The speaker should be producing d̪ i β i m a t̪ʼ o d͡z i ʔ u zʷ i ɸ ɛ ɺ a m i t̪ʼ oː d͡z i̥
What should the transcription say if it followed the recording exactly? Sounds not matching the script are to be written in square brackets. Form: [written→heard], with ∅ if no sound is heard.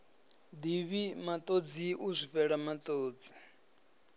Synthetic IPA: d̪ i β i m a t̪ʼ o d͡z i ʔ u zʷ i ɸ ɛ ɺ a m [i→a] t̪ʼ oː d͡z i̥